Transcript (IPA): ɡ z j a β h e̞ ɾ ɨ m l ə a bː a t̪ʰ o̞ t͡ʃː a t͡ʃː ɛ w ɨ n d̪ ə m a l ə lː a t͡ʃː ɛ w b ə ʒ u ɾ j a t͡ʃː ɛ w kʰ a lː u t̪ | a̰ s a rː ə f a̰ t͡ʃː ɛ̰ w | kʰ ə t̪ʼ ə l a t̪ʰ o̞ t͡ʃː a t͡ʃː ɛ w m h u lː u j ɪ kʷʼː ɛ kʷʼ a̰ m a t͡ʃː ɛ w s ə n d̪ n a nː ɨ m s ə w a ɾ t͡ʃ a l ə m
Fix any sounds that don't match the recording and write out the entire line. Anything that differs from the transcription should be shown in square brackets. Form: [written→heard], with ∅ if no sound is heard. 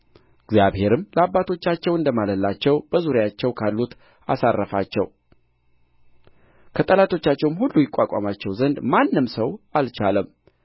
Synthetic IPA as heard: ɡ z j a β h e̞ ɾ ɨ m l ə a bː a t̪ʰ o̞ t͡ʃː a t͡ʃː ɛ w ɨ n d̪ ə m a l ə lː a t͡ʃː ɛ w b ə [ʒ→z] u ɾ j a t͡ʃː ɛ w kʰ a lː u t̪ | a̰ s a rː ə f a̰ t͡ʃː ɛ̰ w | kʰ ə t̪ʼ ə l a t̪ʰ o̞ t͡ʃː a t͡ʃː ɛ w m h u lː u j ɪ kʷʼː [ɛ→a] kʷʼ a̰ m a t͡ʃː ɛ w [s→z] ə n d̪ [n→m] a nː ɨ m s ə w a [ɾ→l] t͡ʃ a l ə m